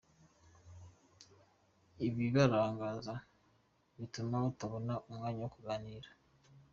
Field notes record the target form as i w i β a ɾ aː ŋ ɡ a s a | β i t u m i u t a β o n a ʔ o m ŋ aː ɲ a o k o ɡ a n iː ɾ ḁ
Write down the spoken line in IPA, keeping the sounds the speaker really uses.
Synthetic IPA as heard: i β i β a ɾ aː ŋ ɡ a z a | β i t u m a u t a β o n a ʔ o m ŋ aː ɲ a o k u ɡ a n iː ɾ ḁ